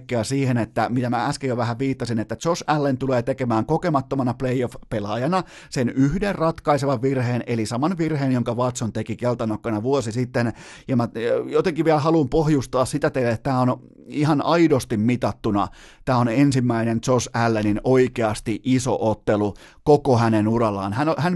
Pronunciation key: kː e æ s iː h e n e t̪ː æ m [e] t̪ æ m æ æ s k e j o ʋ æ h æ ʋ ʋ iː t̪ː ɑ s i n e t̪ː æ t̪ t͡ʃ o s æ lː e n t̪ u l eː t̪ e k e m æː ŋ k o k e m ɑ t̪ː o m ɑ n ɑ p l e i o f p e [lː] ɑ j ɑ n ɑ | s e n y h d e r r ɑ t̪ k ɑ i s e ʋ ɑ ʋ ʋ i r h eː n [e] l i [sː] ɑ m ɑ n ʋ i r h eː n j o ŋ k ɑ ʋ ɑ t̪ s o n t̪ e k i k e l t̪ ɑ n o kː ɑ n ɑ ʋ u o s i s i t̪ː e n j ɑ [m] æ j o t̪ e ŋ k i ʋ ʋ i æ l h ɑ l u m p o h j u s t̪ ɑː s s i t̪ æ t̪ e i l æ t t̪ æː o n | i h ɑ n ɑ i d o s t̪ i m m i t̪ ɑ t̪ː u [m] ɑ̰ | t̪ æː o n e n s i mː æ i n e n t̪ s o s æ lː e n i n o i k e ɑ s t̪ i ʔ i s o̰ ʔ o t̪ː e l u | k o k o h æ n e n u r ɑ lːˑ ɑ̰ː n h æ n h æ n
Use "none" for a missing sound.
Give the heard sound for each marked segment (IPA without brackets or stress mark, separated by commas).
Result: i, l, e, s, m, n